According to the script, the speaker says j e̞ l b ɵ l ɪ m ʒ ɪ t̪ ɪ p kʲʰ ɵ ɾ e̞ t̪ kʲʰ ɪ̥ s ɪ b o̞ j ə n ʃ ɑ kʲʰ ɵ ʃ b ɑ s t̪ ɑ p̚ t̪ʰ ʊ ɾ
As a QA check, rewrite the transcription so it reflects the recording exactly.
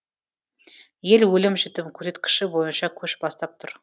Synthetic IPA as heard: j e̞ l w ɵ l ɪ m ʒ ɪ t̪ ɪ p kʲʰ ɵ ɾ e̞ t̪ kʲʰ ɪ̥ ʃ ɪ b o̞ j ə n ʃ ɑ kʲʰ ɵ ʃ b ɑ s t̪ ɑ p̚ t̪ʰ ʊ ɾ